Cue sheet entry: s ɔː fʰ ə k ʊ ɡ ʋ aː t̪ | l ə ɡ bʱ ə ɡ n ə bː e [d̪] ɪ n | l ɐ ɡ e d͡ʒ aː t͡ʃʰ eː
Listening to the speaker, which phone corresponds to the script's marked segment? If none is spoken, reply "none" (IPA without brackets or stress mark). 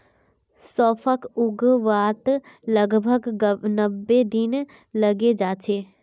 d̪